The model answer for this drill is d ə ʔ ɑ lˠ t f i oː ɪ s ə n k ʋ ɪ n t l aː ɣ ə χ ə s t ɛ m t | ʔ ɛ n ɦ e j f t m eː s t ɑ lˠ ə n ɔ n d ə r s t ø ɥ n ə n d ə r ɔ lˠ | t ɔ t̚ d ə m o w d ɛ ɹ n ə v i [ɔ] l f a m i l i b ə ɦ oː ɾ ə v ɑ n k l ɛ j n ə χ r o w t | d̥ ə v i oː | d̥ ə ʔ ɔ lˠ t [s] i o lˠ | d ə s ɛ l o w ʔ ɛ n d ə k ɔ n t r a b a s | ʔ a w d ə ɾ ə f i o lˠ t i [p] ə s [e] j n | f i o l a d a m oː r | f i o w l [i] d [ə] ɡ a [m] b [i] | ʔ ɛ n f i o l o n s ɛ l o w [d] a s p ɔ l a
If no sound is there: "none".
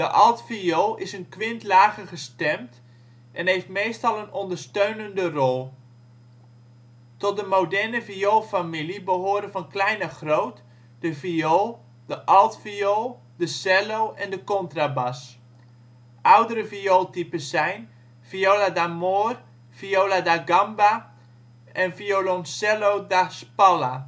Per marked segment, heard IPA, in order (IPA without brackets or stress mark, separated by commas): o, f, p, ɛ, a, a, m, a, d